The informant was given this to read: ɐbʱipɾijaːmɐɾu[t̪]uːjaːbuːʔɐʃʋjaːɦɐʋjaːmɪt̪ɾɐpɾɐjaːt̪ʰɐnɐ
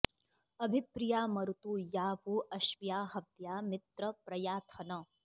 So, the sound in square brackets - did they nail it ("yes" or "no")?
yes